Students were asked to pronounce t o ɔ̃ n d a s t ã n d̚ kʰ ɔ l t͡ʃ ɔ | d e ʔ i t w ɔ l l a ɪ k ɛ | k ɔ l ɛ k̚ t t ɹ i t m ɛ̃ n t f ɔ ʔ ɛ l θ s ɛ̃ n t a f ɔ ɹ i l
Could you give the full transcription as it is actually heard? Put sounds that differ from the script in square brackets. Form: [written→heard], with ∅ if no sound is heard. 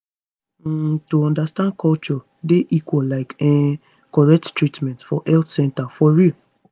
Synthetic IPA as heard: t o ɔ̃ n d a s t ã n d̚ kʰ ɔ l t͡ʃ ɔ | d e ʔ i [t→k] w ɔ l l a ɪ k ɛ | k ɔ [l→ɹ] ɛ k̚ t t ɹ i t m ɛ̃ n t f ɔ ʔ ɛ l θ s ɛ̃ n t a f ɔ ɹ i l